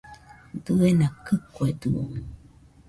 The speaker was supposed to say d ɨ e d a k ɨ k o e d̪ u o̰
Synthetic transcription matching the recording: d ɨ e n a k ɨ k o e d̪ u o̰